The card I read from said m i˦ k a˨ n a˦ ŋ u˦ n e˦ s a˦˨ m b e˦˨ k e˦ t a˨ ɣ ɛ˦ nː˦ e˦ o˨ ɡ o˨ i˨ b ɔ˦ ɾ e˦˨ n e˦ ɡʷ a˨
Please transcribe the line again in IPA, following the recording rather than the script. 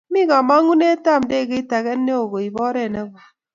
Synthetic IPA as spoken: m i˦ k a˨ m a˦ ŋ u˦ n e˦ t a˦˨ m d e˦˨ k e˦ t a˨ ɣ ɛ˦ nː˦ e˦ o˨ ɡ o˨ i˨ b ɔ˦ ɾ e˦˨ n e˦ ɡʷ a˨